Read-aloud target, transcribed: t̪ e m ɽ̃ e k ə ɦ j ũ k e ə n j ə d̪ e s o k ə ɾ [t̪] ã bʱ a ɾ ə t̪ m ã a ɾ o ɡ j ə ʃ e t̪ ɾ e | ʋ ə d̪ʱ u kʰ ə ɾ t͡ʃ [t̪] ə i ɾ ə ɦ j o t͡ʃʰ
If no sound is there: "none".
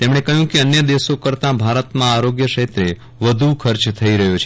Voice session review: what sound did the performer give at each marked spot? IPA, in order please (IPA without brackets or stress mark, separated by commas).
t̪, t̪ʰ